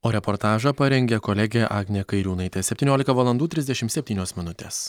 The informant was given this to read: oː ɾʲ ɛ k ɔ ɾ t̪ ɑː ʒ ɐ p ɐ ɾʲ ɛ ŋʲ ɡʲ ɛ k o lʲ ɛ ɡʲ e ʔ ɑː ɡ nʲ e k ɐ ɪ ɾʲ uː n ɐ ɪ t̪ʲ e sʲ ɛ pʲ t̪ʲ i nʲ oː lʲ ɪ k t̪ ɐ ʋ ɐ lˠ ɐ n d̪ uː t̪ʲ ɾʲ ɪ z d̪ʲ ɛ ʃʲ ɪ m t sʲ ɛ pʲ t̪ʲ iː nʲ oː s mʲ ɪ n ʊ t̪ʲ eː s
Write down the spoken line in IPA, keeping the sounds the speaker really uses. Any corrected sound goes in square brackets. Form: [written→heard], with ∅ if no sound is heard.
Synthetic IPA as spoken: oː ɾʲ ɛ [k→p] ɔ ɾ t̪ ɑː ʒ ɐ p ɐ ɾʲ ɛ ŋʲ ɡʲ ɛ k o lʲ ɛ ɡʲ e ʔ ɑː ɡ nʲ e k ɐ ɪ ɾʲ uː n ɐ ɪ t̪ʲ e sʲ ɛ pʲ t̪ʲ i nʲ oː lʲ ɪ k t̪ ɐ ʋ ɐ lˠ ɐ n d̪ uː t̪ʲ ɾʲ ɪ z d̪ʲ ɛ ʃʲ ɪ m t sʲ ɛ pʲ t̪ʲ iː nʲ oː s mʲ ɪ n ʊ t̪ʲ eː s